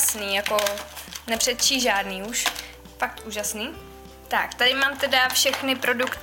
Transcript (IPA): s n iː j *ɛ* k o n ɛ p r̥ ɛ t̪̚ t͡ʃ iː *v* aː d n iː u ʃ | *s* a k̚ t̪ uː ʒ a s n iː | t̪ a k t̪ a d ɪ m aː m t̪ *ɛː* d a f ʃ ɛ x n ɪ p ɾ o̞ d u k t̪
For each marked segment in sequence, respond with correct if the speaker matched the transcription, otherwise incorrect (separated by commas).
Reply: incorrect, incorrect, incorrect, incorrect